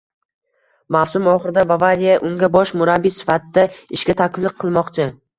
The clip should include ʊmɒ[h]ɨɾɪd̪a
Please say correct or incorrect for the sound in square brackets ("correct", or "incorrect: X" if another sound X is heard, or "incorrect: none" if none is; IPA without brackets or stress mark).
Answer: incorrect: χ